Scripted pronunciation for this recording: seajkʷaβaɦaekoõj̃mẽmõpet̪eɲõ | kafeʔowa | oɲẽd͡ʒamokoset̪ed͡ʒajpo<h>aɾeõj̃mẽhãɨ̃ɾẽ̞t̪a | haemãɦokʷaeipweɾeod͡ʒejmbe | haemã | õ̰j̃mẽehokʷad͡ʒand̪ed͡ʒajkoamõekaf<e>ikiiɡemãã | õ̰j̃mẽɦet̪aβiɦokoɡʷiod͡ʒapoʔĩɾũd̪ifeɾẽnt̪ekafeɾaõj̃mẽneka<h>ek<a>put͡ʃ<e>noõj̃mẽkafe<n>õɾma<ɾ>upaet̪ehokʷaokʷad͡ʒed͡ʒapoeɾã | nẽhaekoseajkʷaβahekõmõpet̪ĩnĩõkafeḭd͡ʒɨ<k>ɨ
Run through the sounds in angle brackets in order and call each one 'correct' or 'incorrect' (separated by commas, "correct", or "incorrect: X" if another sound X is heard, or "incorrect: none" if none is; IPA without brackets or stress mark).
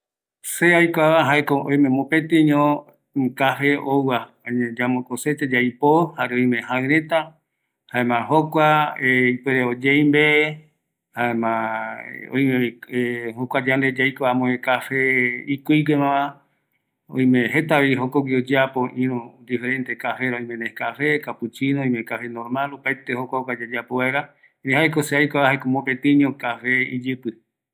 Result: correct, correct, incorrect: f, correct, incorrect: i, correct, incorrect: l, incorrect: p